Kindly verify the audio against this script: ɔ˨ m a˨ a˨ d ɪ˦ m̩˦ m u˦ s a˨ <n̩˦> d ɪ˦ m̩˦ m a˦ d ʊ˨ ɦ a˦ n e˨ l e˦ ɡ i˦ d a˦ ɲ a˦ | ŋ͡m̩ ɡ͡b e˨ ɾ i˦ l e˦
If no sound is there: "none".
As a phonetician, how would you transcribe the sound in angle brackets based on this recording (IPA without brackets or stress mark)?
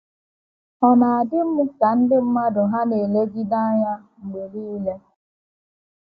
n̩˦